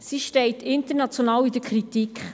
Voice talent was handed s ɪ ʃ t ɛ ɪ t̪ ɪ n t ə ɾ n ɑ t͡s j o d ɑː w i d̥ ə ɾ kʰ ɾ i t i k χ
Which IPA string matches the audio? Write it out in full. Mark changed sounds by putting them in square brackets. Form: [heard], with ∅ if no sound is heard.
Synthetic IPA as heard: s [i] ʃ t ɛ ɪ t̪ ɪ n t ə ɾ n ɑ t͡s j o [n] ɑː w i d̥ ə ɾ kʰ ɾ i t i k χ